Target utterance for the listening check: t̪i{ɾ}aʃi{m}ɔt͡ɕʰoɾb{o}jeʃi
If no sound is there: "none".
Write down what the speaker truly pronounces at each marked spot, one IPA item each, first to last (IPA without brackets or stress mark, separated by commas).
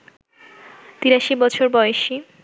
ɾ, b, ɔ